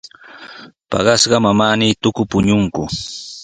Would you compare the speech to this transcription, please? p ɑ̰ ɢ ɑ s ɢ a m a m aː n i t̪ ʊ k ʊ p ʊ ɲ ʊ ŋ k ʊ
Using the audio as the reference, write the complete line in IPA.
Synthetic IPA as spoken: p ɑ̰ ɢ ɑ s ɢ ɑ m a m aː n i t̪ ʊ k ʊ p ʊ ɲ ʊ ŋ k ʊ